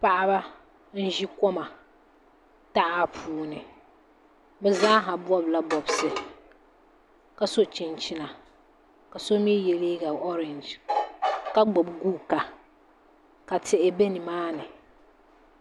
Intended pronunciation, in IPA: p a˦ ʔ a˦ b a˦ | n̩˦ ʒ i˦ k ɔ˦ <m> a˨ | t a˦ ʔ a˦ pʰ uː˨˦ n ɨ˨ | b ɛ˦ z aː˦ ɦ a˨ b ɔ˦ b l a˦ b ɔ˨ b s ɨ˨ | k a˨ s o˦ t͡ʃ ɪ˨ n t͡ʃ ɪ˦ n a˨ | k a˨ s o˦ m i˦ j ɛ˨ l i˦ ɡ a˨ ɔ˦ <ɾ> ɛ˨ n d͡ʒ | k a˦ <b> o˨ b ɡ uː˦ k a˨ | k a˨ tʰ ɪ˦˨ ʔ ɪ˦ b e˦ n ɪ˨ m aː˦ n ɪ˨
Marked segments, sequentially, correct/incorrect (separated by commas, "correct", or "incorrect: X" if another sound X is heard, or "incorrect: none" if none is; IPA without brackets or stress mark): correct, correct, incorrect: ɡ͡b